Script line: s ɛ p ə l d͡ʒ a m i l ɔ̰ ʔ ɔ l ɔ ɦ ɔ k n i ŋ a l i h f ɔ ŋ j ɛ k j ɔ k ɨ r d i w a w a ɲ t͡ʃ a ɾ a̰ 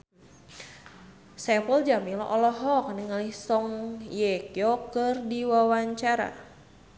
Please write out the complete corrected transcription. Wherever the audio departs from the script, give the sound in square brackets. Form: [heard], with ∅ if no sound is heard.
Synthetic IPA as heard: s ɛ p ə l d͡ʒ a m i l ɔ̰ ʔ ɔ l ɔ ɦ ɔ k n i ŋ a l i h [s] ɔ ŋ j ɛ k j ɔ k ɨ r d i w a w a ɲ t͡ʃ a ɾ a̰